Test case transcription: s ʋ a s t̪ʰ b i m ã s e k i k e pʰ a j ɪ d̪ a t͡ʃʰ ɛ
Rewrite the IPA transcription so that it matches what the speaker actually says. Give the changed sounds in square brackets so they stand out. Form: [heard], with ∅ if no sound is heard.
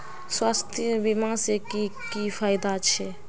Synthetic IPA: s [w] a s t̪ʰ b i m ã s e k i k [i] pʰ a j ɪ d̪ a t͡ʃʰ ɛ